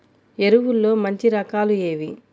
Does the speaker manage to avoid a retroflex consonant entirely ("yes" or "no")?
yes